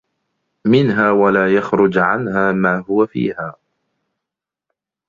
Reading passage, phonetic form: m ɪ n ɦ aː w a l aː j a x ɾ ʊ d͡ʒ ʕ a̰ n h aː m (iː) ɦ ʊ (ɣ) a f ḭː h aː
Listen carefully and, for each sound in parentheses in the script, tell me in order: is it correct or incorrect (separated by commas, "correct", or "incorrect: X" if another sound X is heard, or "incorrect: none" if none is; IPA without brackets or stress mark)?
incorrect: aː, incorrect: w